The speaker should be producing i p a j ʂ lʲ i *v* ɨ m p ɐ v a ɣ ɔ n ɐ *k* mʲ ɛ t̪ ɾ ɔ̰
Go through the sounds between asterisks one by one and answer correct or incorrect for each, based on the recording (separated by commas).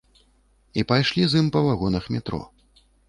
incorrect, incorrect